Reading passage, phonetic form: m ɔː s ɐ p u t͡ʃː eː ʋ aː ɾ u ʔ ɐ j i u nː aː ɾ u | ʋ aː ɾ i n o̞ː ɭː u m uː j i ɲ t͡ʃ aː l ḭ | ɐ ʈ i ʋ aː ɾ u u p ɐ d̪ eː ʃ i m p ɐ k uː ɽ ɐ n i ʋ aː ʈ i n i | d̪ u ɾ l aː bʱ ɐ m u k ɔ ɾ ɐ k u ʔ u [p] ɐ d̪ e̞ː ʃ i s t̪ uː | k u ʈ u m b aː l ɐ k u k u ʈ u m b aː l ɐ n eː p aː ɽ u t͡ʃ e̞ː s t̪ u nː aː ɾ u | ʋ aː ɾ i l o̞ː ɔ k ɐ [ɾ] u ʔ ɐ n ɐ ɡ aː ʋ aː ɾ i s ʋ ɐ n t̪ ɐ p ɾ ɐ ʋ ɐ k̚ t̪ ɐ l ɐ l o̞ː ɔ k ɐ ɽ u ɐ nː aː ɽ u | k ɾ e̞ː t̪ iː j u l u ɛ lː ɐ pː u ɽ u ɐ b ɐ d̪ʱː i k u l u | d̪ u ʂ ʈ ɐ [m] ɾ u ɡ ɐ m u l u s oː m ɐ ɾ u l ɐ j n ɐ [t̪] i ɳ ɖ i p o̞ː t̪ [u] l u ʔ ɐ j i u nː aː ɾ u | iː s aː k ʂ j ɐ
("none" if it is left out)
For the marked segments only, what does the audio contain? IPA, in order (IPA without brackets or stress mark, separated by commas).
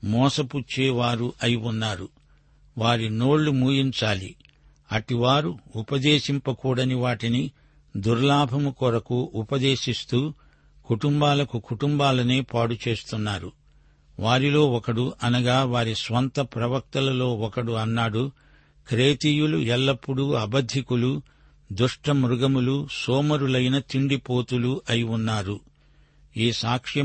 p, ɽ, m, t̪, u